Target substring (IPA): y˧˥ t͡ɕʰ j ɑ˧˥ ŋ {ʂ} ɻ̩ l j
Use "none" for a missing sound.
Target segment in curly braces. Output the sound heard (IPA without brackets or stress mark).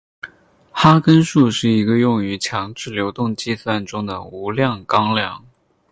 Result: ʈ͡ʂ